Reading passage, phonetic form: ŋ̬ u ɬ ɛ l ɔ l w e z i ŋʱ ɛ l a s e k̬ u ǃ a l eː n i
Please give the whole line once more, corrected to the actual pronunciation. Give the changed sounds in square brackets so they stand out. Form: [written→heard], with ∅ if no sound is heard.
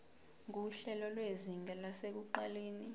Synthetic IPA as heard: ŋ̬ u ɬ ɛ l ɔ l w e z i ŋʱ ɛ l a s e k̬ u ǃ a l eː n i